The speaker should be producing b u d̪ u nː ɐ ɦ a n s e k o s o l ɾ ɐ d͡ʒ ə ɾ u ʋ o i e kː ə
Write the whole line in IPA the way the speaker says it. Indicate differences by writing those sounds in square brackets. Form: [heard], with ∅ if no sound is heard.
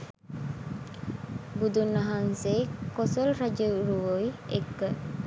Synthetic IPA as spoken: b u d̪ u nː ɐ ɦ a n s e k o s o l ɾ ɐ d͡ʒ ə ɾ u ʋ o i e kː ə